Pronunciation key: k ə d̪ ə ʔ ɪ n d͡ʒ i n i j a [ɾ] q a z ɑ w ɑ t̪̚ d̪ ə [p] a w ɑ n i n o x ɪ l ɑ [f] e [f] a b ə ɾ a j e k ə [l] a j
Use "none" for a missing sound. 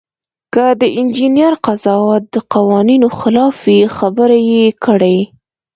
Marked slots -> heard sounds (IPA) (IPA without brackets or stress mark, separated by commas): ɾ, q, f, x, ɽ